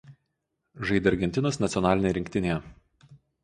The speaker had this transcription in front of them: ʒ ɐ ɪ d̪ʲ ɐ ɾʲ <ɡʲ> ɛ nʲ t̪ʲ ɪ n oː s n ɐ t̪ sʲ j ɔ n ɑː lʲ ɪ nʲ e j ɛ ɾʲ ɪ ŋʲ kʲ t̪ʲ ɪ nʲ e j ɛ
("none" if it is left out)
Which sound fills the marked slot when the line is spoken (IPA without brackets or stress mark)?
ɡʲ